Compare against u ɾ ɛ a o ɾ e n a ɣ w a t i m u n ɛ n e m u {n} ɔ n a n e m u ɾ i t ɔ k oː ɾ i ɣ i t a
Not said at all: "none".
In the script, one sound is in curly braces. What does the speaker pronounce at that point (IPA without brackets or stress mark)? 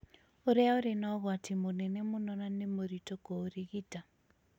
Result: n